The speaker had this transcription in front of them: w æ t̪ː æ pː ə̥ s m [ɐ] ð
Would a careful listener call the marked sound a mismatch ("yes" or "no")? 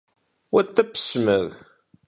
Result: yes